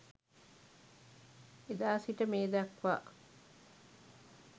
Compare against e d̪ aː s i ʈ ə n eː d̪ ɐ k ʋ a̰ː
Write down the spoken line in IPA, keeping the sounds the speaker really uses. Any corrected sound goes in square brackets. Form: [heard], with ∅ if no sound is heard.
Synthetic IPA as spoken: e d̪ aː s i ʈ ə [m] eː d̪ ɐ k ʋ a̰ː